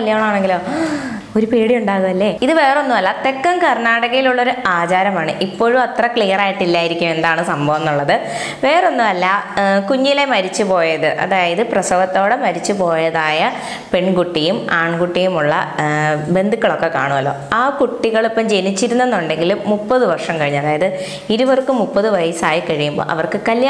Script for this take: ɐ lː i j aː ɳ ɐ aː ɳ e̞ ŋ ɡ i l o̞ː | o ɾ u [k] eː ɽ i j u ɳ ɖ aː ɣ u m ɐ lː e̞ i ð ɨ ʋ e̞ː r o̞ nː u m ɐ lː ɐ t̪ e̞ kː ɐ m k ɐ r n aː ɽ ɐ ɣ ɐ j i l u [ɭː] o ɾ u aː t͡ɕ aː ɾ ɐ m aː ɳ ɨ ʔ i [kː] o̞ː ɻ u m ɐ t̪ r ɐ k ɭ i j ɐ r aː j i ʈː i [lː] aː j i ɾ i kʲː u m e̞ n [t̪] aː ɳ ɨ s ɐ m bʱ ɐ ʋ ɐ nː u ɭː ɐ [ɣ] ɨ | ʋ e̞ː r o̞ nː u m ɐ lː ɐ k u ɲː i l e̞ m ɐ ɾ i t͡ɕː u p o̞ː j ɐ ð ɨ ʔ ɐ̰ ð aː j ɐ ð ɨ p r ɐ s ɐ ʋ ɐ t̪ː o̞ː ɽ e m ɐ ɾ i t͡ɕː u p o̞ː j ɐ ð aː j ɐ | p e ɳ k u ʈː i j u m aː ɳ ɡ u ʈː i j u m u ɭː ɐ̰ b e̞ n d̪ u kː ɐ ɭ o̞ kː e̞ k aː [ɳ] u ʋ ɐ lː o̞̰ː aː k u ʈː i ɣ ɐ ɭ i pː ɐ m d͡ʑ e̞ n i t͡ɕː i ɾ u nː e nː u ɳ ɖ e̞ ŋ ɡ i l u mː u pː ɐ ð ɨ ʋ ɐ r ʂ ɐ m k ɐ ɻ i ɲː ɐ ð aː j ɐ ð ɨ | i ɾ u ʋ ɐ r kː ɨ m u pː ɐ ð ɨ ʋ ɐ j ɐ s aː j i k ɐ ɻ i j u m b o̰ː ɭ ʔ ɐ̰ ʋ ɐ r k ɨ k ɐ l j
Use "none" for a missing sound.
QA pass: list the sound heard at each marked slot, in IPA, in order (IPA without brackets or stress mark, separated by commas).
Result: p, ɭː, pː, lː, d̪, ð, ɳ